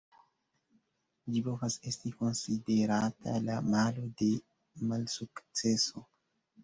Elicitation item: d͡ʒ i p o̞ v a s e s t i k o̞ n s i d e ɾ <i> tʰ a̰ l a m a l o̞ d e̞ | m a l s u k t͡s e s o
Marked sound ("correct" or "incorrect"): incorrect